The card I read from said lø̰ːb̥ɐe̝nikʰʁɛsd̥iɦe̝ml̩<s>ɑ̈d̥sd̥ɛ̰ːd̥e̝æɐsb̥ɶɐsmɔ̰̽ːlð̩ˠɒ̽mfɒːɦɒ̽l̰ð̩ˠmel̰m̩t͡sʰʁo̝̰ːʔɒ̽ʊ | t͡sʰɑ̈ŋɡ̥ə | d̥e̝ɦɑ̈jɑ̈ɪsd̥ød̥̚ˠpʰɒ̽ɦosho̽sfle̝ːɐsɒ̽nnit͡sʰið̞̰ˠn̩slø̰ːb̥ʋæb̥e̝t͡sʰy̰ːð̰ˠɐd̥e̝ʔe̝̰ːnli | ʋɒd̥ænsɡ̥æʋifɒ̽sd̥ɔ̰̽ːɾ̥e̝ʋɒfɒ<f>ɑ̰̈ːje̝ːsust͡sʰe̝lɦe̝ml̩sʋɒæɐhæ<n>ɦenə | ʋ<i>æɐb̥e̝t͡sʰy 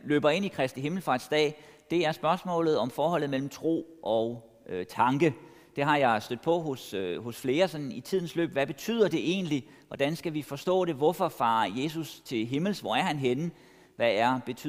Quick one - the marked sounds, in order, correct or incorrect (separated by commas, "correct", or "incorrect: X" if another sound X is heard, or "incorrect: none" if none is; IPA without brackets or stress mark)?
incorrect: f, correct, correct, incorrect: æ